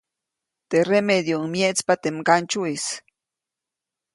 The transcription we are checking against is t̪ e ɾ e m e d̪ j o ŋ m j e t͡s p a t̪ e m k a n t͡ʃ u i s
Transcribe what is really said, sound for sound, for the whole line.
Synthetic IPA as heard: t̪ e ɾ e m e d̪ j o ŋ m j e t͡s p a t̪ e m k a n t͡ʃ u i s